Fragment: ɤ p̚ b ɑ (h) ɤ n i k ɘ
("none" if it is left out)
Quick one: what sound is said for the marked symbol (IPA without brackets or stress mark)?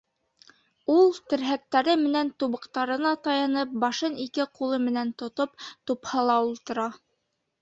ʃ